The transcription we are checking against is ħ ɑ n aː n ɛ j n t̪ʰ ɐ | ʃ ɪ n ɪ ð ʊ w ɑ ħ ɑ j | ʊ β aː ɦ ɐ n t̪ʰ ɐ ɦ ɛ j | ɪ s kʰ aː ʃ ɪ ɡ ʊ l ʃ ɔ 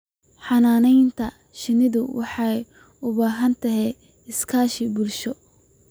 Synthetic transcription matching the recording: ħ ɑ n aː n ɛ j n t̪ʰ ɐ | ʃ ɪ n ɪ ð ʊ w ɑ ħ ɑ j | ʊ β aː ɦ ɐ n t̪ʰ ɐ ɦ ɛ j | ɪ s kʰ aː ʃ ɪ b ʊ l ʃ ɔ